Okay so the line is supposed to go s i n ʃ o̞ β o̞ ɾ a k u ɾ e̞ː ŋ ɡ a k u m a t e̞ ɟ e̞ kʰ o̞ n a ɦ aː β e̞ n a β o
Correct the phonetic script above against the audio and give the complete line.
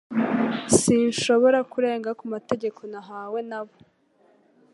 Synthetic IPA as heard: s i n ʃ o̞ β o̞ ɾ a k u ɾ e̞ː ŋ ɡ a k u m a t e̞ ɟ e̞ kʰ o̞ n a ɦ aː w e̞ n a β o